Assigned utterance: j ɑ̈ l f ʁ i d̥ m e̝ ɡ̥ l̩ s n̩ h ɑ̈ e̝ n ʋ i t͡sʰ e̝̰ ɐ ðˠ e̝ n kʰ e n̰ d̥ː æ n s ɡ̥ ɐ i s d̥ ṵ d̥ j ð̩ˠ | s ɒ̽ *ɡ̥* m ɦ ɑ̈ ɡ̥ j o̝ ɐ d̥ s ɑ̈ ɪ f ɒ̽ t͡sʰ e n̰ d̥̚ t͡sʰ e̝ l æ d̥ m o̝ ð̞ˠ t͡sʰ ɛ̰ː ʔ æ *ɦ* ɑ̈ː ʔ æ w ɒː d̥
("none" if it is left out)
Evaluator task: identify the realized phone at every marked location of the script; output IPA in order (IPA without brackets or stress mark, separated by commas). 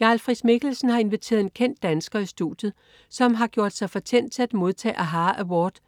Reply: none, ɦ